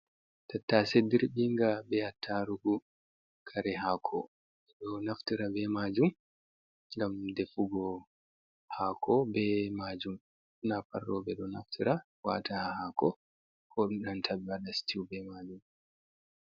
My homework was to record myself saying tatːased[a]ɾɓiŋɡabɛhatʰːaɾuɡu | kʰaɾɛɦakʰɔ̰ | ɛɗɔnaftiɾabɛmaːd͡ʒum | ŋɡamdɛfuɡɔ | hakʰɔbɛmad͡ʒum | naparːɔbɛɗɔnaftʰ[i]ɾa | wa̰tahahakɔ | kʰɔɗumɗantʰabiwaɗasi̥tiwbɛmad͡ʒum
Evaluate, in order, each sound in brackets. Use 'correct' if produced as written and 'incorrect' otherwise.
incorrect, correct

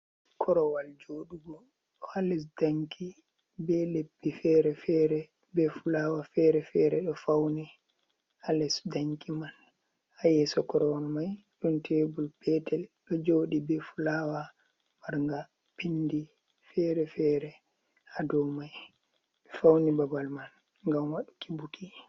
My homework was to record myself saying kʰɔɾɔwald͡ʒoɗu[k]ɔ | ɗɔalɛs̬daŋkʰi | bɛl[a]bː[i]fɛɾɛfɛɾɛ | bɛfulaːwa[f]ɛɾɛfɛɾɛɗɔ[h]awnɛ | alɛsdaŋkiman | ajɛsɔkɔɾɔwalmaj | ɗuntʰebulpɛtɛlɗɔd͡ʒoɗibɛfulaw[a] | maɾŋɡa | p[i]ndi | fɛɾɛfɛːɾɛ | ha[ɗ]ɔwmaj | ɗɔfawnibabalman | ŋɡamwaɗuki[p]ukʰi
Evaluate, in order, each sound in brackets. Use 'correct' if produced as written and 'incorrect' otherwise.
incorrect, incorrect, correct, correct, incorrect, correct, correct, incorrect, incorrect

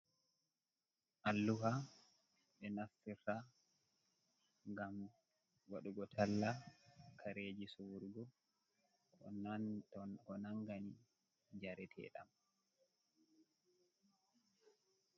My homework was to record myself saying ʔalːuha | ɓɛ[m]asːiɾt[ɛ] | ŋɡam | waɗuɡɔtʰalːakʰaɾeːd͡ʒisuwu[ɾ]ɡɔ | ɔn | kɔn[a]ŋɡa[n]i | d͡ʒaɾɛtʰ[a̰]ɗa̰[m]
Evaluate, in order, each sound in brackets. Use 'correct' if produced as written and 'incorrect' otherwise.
incorrect, incorrect, correct, correct, correct, incorrect, correct

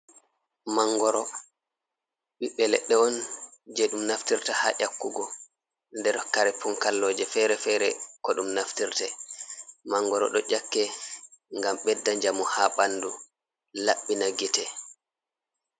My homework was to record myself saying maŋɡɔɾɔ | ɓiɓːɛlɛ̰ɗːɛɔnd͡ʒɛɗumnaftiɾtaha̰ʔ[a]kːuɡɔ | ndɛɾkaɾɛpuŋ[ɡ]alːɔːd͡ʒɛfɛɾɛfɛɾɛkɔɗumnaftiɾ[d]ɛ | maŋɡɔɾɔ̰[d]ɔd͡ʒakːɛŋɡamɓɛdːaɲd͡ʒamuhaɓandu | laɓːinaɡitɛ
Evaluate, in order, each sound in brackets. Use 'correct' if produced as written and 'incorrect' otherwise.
correct, incorrect, incorrect, incorrect

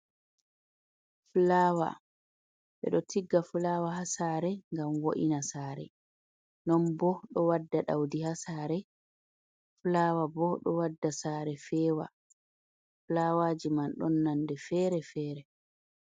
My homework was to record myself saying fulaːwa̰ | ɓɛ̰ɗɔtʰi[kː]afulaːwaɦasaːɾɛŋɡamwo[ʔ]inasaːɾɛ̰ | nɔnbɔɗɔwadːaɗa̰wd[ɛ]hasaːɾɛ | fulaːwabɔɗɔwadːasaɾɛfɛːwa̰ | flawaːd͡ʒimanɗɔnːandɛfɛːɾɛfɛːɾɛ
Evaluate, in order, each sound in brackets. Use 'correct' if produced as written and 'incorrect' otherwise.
incorrect, correct, incorrect

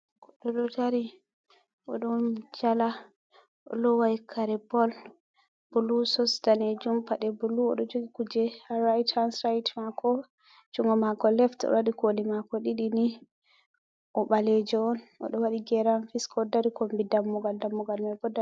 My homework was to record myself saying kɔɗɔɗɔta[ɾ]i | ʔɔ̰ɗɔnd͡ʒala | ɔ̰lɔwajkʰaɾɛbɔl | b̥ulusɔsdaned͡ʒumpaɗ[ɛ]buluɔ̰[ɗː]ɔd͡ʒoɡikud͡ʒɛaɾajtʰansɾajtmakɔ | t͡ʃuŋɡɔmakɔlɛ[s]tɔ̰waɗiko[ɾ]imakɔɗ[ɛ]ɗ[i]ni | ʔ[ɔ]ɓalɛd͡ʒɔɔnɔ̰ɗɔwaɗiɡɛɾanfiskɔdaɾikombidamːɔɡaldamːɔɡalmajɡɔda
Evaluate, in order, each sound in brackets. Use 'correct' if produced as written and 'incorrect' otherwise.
correct, correct, incorrect, incorrect, incorrect, incorrect, correct, correct

